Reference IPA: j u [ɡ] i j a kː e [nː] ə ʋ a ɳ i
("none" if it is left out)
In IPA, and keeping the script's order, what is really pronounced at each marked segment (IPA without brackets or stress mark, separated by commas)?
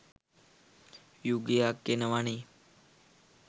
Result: ɡ, n